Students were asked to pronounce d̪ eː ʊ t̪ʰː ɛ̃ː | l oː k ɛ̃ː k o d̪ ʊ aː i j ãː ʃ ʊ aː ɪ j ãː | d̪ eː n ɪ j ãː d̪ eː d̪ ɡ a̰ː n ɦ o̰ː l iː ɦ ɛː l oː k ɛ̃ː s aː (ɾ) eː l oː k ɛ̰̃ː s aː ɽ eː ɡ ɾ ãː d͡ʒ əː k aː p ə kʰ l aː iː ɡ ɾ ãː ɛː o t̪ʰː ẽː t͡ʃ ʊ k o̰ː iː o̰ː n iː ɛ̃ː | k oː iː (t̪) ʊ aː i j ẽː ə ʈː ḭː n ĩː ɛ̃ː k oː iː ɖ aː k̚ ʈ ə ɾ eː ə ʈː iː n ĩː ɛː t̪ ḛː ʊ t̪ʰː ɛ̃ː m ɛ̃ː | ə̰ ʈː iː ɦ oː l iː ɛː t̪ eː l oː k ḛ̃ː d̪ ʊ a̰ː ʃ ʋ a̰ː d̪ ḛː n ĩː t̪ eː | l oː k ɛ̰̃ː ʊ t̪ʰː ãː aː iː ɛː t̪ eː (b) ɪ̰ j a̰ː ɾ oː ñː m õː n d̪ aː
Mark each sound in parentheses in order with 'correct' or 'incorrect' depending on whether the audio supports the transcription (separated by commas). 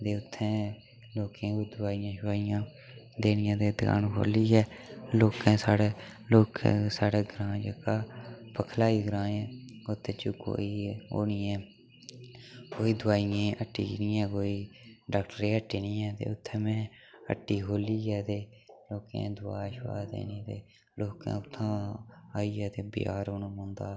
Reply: incorrect, incorrect, correct